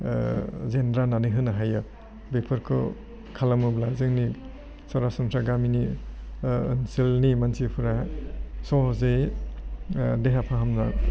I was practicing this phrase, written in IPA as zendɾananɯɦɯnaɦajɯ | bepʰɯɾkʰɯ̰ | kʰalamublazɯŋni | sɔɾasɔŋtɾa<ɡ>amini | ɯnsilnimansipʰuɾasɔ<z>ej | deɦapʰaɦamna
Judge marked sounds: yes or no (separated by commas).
yes, yes